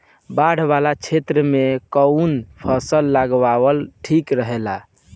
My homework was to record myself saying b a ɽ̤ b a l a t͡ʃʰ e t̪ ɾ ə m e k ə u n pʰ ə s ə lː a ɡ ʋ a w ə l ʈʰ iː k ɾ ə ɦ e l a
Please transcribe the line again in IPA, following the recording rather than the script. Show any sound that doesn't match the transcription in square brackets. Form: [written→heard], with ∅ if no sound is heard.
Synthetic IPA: b a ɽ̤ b a l a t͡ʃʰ e t̪ ɾ ə m e k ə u n pʰ ə s ə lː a ɡ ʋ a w ə l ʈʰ [iː→i] k ɾ ə ɦ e l a

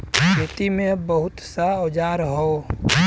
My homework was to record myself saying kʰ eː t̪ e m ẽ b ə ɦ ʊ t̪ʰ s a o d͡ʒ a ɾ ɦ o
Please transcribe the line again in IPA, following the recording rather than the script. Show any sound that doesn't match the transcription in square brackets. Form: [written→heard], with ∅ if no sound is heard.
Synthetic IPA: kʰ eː t̪ [e→i] m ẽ b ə ɦ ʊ [t̪ʰ→t̪] s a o d͡ʒ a ɾ ɦ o

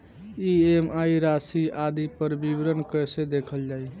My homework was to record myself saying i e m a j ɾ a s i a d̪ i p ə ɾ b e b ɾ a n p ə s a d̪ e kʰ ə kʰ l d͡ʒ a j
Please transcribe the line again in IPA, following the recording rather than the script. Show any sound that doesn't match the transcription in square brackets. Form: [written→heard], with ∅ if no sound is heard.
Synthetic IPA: i e m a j ɾ a s i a d̪ i p ə ɾ b [e→i] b ɾ [a→ə] n [p→k] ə s [a→e] d̪ e kʰ ə [kʰ→∅] l d͡ʒ a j

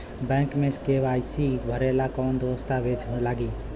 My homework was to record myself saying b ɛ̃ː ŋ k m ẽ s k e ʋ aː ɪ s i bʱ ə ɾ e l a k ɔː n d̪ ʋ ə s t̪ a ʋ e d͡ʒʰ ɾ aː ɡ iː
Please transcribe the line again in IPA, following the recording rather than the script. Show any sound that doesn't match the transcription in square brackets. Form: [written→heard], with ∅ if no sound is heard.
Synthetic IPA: b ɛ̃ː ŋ k m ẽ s k e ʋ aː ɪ s i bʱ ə ɾ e l a k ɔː n d̪ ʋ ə s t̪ a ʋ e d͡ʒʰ [ɾ→l] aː ɡ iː

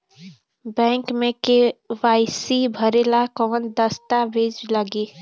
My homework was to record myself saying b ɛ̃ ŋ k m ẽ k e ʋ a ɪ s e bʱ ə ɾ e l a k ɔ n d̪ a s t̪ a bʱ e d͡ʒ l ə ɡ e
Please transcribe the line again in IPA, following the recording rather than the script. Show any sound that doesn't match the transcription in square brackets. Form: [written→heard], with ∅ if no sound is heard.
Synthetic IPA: b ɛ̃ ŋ k m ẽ k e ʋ a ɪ s [e→i] bʱ ə ɾ e l a k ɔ n d̪ [a→ə] s t̪ a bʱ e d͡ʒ l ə ɡ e

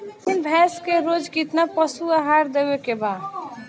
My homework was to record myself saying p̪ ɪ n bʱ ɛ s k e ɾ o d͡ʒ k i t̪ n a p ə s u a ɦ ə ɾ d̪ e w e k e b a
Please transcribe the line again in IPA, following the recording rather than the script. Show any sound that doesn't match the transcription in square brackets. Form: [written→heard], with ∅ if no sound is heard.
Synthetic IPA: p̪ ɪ n bʱ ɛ s k e ɾ o d͡ʒ k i t̪ n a p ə s u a ɦ [ə→a] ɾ d̪ e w e k e b a

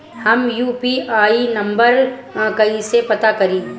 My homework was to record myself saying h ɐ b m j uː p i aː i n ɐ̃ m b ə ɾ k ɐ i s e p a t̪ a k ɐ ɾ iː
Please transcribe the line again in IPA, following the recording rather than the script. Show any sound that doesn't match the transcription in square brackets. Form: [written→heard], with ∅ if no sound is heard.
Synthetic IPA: h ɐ [b→∅] m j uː p i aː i n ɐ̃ m b ə ɾ k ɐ i s e p [a→ɐ] t̪ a k ɐ ɾ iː

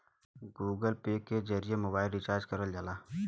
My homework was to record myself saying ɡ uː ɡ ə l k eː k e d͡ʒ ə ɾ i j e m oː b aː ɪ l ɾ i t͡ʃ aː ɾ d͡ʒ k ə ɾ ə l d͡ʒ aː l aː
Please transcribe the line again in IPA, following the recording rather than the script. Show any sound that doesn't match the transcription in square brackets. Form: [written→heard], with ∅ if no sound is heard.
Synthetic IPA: ɡ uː ɡ ə l [k→p] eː k e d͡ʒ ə ɾ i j e m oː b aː ɪ l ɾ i t͡ʃ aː ɾ d͡ʒ k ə ɾ ə l d͡ʒ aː l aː

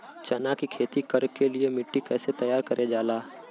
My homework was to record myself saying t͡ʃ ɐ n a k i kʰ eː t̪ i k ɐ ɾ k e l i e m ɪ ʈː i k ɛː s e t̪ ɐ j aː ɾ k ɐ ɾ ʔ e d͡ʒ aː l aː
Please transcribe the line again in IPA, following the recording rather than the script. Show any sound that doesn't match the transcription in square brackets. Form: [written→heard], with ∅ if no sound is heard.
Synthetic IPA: t͡ʃ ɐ n a k i kʰ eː t̪ i k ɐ ɾ k e l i e m ɪ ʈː i k ɛː s e t̪ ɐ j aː ɾ k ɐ ɾ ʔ e d͡ʒ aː l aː

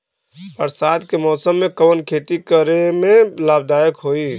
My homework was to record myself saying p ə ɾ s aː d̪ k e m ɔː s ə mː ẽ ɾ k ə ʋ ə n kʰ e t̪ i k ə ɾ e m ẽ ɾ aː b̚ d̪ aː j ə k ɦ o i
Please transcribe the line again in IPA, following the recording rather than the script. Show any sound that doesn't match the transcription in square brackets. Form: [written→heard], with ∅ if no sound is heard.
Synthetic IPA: p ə ɾ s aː d̪ k e m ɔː s ə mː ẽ [ɾ→∅] k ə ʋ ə n kʰ e t̪ i k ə ɾ e m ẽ [ɾ→l] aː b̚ d̪ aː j ə k ɦ o i

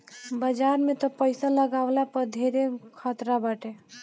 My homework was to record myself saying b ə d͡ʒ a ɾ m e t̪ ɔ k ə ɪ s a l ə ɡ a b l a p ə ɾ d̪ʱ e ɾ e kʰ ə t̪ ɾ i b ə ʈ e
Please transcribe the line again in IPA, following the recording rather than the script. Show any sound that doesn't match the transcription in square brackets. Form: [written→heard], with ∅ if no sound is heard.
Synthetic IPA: b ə d͡ʒ a ɾ m e t̪ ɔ [k→p] ə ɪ s a l ə ɡ a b l a p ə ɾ d̪ʱ e ɾ e kʰ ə t̪ ɾ [i→a] b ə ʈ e

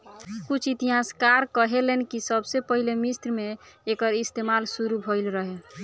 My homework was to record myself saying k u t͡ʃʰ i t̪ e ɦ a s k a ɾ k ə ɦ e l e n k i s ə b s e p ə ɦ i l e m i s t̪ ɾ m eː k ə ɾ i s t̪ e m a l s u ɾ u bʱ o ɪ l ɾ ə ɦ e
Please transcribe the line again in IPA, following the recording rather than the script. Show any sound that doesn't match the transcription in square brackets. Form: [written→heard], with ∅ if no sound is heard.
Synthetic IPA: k u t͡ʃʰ i t̪ [e→i] ɦ a s k a ɾ k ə ɦ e l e n k i s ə b s e p ə ɦ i l e m i s t̪ ɾ m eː k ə ɾ i s t̪ e m a l s u ɾ u bʱ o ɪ l ɾ ə ɦ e

